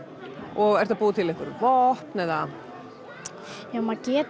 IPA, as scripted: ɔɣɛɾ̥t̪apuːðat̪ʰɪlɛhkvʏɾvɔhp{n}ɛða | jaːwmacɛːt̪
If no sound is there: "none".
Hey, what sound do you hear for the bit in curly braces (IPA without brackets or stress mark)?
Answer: n